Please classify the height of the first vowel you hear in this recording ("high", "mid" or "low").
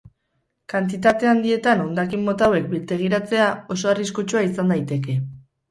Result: low